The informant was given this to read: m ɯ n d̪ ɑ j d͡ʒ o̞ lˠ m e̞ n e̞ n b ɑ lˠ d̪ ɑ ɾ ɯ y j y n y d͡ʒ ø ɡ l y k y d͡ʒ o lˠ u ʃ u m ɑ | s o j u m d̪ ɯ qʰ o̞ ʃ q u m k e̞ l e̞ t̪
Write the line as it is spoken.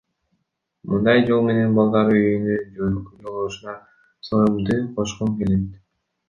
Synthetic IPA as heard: m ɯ n d̪ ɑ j d͡ʒ o̞ lˠ m e̞ n e̞ n b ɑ lˠ d̪ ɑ ɾ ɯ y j y n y d͡ʒ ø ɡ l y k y d͡ʒ o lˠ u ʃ u n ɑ | s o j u m d̪ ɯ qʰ o̞ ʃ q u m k e̞ l e̞ t̪